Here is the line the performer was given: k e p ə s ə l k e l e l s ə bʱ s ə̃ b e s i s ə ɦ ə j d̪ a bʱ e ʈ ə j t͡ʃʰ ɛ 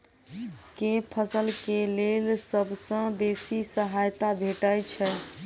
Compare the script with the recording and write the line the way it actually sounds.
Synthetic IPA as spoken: k e pʰ ə s ə l k e l e l s ə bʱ s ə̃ b e s i s ə ɦ a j t̪ a bʱ e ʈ ə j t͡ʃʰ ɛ